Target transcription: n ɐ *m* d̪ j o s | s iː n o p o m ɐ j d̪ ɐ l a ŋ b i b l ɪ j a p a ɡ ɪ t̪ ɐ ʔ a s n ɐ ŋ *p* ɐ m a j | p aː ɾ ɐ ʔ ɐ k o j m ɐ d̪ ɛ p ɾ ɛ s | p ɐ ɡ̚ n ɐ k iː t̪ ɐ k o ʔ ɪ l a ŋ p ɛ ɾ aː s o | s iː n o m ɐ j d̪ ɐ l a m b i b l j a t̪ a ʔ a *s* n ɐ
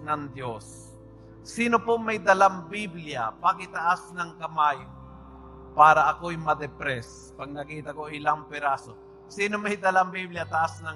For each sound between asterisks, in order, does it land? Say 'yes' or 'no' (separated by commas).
no, no, yes